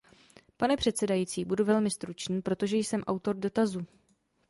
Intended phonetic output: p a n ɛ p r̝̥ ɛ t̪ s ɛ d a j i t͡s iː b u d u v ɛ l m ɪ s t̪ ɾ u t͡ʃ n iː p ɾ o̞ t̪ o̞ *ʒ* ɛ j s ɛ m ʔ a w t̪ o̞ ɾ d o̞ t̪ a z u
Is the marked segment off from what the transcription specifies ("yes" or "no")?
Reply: no